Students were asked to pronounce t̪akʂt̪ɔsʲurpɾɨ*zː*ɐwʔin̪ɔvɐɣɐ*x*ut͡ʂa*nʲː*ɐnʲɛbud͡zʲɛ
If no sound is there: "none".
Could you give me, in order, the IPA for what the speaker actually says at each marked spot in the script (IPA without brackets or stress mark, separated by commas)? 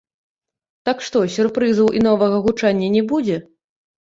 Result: z, ɣ, nʲː